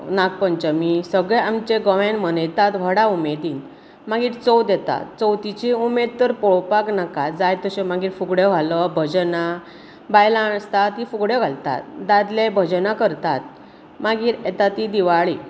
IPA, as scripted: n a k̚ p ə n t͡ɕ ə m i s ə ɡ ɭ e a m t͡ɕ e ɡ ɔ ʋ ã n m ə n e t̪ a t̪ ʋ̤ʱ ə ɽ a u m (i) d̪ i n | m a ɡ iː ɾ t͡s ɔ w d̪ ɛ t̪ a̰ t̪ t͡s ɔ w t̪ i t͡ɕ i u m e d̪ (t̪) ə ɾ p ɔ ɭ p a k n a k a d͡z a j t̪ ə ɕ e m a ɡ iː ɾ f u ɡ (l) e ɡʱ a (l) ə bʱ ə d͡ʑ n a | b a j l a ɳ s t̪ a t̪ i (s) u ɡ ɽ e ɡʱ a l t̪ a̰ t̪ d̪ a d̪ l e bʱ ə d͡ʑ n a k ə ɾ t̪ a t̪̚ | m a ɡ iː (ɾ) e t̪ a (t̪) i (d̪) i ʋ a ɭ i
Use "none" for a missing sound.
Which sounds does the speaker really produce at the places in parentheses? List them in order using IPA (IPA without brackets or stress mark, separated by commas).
e, t̪, ɽ, l, f, ɾ, t̪, d̪